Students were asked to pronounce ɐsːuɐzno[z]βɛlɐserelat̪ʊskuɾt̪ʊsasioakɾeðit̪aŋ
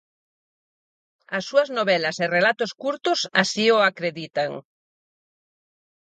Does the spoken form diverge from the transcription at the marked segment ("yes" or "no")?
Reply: yes